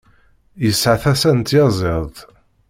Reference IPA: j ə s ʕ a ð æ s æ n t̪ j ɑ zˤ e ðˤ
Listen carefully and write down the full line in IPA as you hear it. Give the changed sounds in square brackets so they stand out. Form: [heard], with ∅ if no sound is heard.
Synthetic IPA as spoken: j ə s ʕ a [θ] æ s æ n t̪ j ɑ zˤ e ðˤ